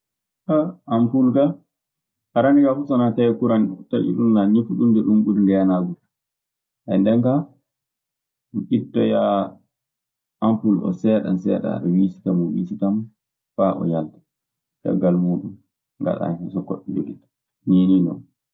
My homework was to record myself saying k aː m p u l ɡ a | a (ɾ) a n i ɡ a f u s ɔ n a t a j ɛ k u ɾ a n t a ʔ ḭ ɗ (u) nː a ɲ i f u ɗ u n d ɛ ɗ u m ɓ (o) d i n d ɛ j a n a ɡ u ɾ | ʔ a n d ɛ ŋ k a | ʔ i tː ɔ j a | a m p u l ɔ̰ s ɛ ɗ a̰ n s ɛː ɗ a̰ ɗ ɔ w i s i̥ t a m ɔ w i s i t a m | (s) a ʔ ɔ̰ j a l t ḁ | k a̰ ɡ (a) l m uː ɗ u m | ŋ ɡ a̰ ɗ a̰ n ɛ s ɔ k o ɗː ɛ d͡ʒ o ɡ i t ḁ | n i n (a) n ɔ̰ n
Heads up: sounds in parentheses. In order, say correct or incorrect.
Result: correct, correct, incorrect: u, incorrect: f, correct, incorrect: i

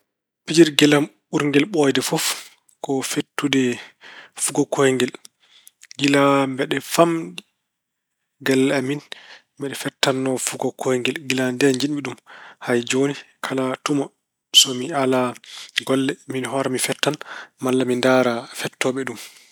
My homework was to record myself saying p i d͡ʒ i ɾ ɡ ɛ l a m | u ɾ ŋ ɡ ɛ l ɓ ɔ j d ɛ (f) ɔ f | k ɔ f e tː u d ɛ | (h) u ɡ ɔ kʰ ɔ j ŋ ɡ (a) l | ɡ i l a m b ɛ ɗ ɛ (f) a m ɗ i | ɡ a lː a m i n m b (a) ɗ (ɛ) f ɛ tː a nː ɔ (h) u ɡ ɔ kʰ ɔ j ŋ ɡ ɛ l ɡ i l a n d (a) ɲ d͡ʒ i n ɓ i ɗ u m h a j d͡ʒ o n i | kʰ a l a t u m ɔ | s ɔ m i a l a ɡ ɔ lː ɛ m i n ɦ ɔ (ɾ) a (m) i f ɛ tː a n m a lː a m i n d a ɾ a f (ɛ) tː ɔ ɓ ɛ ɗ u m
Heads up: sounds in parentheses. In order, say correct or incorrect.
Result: correct, incorrect: f, incorrect: ɛ, correct, incorrect: ɛ, correct, incorrect: f, incorrect: ɛ, correct, correct, correct

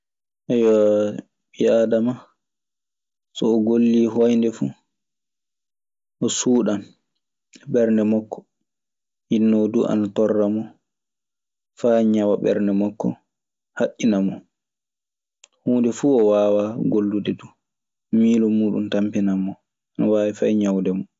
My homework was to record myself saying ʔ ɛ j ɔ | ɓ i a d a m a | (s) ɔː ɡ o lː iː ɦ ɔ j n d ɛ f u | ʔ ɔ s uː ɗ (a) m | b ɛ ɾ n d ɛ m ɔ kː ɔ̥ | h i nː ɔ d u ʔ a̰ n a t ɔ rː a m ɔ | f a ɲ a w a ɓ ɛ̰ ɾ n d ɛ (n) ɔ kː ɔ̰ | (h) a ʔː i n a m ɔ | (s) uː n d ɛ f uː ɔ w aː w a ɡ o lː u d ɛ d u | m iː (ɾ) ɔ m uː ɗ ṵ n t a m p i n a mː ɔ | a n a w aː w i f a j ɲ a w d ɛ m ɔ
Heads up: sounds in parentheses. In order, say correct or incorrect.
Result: correct, correct, incorrect: m, correct, incorrect: h, incorrect: l

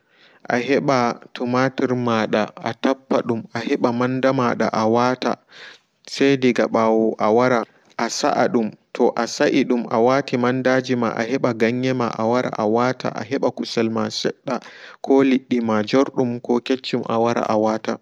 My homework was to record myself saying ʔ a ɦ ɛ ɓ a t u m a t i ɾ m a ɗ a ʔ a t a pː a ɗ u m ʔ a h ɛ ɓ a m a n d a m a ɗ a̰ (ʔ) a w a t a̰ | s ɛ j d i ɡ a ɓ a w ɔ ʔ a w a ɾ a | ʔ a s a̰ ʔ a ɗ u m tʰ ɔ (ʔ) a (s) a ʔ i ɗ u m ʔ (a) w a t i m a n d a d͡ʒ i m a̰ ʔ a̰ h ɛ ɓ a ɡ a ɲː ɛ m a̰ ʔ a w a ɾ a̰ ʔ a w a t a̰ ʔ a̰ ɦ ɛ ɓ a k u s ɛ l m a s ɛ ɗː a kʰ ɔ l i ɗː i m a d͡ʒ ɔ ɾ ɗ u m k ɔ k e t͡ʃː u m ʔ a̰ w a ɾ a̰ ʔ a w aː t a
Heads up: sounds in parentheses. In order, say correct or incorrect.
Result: correct, correct, correct, correct

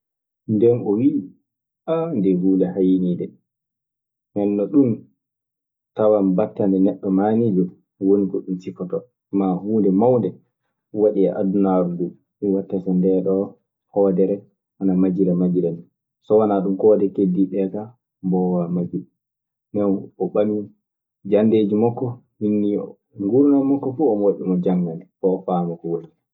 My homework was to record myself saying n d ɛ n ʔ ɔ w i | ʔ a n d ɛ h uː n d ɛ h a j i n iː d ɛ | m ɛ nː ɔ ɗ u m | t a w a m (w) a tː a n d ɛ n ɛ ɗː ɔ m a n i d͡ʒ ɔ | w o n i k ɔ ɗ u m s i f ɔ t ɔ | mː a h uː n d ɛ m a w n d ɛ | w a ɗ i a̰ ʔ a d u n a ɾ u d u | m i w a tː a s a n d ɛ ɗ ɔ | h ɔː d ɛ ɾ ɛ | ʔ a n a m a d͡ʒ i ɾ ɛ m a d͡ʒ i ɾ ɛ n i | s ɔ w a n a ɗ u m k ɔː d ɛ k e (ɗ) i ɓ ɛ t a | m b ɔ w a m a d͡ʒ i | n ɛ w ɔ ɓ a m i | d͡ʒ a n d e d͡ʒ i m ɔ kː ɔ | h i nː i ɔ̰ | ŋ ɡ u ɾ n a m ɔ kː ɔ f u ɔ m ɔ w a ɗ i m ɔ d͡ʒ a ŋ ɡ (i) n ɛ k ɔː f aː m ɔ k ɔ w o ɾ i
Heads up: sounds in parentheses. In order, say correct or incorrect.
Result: incorrect: b, incorrect: d, incorrect: a

